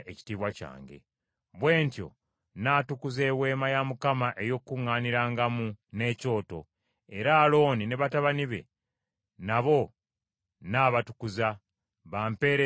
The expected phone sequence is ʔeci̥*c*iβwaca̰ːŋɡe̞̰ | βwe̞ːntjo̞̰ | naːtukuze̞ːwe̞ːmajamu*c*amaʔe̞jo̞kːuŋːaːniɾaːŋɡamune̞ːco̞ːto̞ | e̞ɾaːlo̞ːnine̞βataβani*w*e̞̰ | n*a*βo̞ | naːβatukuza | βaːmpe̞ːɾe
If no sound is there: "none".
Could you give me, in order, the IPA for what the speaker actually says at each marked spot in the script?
t, k, β, a

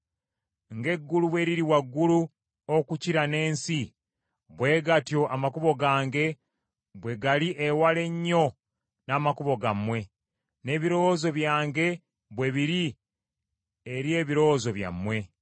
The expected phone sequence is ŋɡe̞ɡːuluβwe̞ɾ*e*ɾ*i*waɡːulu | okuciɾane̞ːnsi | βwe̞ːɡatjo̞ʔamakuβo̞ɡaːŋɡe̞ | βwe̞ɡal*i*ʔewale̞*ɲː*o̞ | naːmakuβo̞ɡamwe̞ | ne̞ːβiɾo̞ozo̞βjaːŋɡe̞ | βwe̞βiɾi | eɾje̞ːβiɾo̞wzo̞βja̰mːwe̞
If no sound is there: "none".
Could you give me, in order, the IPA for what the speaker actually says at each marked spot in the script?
i, i, i, ɲː

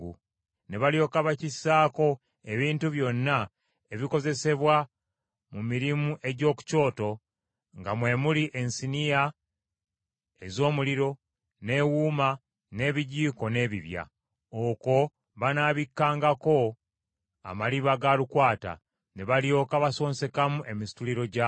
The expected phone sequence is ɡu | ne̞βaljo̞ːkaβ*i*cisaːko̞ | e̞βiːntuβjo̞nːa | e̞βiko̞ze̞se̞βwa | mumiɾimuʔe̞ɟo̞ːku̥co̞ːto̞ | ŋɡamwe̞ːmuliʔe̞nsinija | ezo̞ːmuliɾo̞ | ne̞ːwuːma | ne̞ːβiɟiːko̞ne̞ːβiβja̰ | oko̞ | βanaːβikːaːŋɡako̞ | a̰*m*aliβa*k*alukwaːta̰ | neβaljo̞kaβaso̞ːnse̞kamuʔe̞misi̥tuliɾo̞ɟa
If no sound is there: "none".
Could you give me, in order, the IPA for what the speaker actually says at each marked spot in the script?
a, m, ɡ

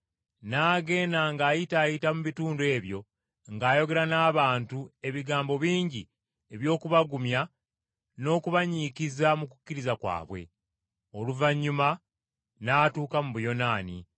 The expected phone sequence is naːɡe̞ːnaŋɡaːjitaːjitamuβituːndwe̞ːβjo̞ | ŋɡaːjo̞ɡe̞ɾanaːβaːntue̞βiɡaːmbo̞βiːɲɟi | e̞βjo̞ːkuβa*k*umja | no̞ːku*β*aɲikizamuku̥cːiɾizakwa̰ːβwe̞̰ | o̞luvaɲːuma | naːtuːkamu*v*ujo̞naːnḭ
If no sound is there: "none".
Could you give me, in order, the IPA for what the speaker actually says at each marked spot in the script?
ɡ, β, β

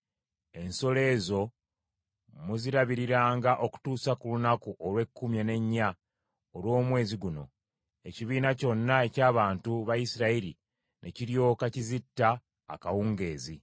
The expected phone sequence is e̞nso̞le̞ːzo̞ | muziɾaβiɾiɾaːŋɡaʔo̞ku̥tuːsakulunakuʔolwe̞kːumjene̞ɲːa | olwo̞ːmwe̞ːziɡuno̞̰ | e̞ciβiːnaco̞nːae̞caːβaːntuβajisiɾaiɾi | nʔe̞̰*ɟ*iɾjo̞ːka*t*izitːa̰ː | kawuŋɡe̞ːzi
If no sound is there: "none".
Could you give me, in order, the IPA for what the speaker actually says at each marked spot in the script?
c, c

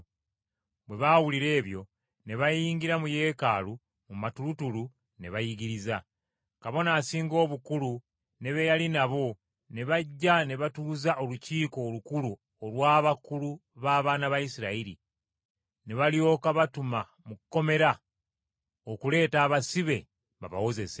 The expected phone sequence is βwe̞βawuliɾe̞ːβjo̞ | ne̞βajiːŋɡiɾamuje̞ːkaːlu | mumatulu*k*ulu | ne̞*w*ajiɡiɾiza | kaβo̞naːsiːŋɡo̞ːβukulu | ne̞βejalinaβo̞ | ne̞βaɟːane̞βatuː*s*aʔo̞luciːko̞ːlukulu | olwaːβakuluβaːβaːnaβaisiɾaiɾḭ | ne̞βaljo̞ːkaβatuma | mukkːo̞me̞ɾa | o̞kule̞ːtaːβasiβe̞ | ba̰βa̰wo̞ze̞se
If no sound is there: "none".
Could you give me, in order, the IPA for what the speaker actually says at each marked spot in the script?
t, β, z

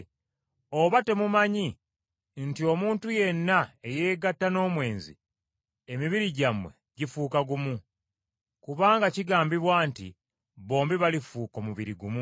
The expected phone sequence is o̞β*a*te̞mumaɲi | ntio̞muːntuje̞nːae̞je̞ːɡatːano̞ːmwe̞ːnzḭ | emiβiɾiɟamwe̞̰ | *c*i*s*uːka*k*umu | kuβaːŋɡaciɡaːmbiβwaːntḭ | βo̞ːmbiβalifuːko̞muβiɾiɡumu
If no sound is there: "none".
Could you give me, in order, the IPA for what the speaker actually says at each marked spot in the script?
a, ɟ, f, ɡ

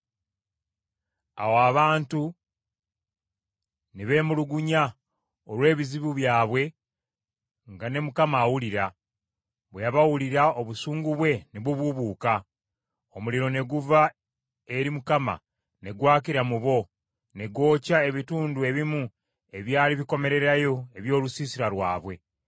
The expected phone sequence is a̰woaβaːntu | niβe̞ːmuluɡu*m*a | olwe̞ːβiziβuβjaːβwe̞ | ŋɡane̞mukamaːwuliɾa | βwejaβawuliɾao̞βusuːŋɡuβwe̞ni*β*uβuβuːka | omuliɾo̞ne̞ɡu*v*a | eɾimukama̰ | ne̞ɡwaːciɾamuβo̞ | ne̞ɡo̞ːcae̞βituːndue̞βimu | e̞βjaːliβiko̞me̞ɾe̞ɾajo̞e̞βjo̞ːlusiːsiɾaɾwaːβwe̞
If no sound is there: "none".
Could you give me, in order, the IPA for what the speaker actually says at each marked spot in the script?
ɲ, β, v

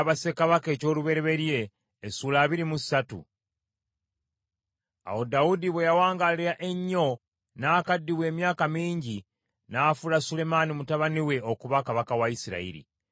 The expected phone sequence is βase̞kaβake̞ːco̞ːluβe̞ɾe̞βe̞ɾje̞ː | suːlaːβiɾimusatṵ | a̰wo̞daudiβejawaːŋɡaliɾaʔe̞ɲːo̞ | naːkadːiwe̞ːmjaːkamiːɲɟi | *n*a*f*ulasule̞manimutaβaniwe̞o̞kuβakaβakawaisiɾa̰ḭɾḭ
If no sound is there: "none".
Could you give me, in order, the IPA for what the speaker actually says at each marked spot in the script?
n, f

